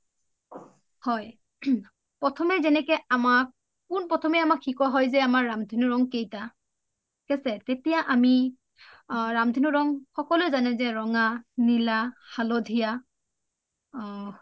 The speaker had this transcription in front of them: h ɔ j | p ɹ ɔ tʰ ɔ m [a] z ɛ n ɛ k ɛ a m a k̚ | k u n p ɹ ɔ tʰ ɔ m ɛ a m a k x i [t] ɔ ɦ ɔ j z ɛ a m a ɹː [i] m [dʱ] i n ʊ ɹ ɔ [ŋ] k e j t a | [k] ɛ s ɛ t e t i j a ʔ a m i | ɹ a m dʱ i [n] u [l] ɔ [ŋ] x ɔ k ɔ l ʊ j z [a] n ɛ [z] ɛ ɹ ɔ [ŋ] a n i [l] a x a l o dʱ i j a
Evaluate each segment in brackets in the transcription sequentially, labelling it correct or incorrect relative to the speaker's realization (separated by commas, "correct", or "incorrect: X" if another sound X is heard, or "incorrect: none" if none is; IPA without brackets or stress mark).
incorrect: ɛ, incorrect: k, incorrect: a, correct, correct, correct, correct, incorrect: ɹ, correct, correct, correct, correct, correct